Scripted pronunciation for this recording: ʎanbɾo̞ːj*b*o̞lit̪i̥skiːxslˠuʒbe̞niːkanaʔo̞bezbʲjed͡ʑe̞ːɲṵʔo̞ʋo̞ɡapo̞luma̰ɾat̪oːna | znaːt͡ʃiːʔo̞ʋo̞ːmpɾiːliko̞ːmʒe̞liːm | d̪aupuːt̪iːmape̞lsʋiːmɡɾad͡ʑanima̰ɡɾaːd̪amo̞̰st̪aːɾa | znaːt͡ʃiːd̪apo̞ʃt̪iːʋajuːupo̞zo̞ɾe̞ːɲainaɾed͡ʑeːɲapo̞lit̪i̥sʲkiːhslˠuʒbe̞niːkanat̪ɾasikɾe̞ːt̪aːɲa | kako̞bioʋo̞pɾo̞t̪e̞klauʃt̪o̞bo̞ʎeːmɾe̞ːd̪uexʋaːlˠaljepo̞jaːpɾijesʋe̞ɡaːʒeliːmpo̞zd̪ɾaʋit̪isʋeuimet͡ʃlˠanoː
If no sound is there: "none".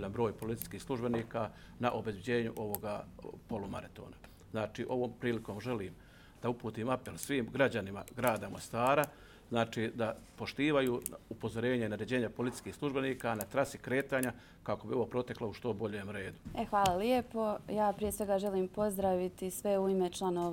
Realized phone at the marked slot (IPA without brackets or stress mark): p